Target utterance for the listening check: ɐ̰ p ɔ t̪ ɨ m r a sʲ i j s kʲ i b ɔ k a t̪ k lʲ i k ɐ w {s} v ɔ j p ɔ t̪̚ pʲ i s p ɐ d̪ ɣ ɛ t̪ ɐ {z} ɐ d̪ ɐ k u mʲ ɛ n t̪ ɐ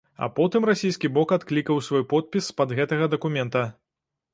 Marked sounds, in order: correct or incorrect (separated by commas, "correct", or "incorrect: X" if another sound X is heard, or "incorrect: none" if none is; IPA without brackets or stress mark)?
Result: correct, incorrect: ɣ